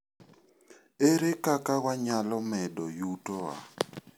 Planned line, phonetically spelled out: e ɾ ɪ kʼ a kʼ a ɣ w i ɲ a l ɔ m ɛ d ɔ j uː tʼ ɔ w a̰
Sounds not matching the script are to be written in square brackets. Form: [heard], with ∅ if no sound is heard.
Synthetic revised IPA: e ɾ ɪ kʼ a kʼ a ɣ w [a] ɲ a l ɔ m ɛ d ɔ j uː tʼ ɔ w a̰